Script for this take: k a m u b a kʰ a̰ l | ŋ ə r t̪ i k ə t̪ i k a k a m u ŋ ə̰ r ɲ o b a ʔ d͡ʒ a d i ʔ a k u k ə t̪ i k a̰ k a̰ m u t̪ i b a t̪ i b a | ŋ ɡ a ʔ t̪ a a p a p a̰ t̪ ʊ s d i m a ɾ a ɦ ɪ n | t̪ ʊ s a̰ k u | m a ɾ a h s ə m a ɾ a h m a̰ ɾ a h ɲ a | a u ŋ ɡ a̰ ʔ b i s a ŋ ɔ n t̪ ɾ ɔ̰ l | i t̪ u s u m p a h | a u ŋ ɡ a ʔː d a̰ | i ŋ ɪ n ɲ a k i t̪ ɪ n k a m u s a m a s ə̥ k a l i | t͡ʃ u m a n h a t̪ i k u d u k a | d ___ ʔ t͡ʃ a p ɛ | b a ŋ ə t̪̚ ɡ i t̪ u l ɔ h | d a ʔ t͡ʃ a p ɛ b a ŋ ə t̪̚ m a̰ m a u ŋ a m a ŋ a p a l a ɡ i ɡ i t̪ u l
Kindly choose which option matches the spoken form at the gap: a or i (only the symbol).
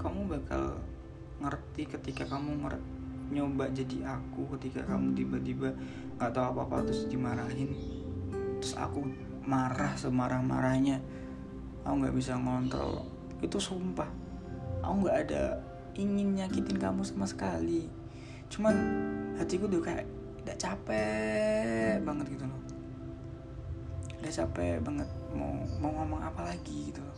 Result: a